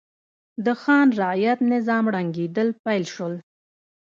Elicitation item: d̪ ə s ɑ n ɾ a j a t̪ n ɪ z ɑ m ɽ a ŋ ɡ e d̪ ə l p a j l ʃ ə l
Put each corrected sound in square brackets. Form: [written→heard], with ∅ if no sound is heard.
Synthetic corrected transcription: d̪ ə [s→x] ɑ n ɾ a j a t̪ n ɪ z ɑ m ɽ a ŋ ɡ e d̪ ə l p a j l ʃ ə l